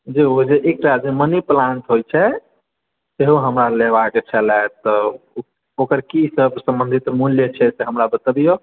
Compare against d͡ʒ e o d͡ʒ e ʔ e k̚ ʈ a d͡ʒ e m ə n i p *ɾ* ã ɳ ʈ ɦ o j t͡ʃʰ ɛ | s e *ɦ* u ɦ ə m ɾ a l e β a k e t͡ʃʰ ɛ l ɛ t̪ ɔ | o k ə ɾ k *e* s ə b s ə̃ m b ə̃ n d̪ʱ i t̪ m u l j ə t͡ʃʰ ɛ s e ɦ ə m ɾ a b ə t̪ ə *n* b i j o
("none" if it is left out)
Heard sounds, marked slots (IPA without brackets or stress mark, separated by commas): l, ɦ, i, none